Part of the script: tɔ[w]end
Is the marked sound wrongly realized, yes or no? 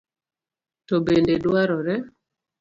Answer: yes